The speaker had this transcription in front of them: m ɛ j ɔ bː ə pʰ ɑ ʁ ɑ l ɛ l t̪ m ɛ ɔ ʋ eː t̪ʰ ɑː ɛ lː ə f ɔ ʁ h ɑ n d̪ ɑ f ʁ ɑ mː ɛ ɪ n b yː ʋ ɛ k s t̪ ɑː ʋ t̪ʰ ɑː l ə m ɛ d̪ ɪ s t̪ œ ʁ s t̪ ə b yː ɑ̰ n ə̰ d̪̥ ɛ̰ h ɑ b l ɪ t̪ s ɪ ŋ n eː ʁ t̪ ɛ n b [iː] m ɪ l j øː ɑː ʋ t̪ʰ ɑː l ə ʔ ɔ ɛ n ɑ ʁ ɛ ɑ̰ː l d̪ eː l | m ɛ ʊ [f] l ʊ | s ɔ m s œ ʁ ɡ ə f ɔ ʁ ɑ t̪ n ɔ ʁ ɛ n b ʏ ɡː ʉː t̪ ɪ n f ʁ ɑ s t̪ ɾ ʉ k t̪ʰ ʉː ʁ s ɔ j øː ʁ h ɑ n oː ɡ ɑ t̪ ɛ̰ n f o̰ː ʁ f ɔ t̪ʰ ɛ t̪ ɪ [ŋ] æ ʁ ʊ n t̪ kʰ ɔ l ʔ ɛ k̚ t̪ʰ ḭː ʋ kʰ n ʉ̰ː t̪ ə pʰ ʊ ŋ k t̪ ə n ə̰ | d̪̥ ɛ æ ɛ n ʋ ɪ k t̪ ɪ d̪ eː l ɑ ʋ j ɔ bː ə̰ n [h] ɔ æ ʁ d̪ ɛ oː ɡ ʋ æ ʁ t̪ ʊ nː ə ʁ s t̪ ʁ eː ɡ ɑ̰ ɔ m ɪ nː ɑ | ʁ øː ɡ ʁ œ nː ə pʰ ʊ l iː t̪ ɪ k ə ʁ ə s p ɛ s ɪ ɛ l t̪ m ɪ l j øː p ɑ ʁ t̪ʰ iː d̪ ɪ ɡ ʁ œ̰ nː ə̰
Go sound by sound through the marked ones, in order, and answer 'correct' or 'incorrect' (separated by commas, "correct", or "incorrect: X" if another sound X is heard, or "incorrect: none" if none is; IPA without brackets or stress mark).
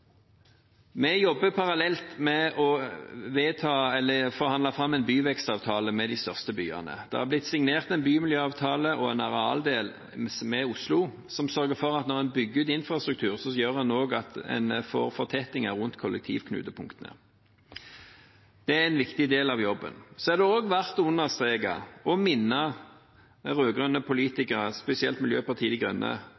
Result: incorrect: yː, incorrect: s, correct, incorrect: s